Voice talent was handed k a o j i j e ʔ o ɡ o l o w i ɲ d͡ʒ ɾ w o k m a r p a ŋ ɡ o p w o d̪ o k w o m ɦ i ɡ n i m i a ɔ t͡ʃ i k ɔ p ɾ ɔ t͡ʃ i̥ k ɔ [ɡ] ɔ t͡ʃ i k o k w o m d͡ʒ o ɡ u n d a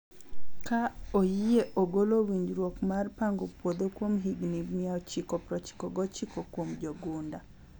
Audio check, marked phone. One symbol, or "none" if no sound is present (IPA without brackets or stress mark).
ɡ